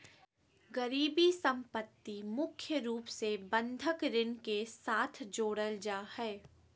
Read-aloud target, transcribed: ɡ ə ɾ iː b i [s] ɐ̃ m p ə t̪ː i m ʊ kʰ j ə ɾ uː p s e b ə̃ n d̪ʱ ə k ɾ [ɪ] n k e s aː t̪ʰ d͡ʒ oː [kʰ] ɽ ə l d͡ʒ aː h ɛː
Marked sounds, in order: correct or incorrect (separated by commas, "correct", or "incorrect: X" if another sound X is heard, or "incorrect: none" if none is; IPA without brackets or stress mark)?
correct, correct, incorrect: none